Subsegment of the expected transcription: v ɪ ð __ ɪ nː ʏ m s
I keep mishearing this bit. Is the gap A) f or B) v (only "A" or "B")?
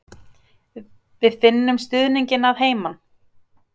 A